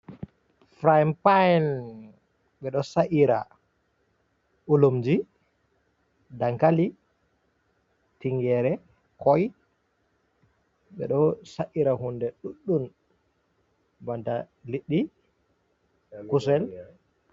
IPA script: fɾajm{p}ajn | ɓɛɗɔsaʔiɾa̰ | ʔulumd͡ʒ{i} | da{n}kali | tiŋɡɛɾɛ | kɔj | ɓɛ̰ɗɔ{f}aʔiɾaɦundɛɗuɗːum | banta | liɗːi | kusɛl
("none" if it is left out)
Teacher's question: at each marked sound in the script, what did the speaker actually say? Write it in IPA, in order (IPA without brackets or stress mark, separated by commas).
p, i, ŋ, s